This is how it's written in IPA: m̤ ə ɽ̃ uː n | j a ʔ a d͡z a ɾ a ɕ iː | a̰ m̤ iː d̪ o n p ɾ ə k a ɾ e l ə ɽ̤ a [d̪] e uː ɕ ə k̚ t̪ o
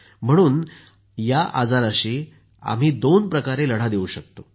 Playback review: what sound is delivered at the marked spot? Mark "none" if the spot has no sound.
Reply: d̪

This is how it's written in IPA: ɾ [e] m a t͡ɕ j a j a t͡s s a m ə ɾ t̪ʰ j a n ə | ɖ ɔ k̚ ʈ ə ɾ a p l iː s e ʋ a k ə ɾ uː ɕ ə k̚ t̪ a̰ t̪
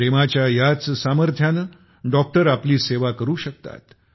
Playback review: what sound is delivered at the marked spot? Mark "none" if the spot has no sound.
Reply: e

